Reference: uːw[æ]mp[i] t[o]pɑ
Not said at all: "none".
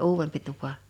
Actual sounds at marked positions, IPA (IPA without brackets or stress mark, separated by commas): e, i, u